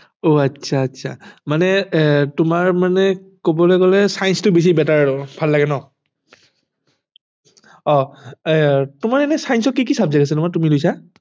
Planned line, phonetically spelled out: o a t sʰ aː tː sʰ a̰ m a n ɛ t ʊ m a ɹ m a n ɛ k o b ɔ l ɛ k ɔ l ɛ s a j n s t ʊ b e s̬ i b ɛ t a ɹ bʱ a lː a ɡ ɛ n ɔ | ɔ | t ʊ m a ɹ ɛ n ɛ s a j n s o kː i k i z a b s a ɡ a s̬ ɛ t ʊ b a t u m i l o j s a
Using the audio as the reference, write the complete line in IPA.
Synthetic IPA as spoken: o a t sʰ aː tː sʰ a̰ m a n ɛ t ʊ m a ɹ m a n ɛ k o b ɔ l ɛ k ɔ l ɛ s a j n s t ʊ b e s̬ i b ɛ t a ɹ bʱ a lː a ɡ ɛ n ɔ | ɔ | t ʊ m a ɹ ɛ n ɛ s a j n s ɔ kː i k i s a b z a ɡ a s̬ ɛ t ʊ m a t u m i l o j s a